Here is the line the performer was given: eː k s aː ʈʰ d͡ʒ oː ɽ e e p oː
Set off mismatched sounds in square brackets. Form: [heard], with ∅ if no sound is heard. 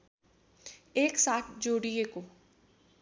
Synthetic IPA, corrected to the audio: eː k s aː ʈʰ d͡ʒ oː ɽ [i] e [k] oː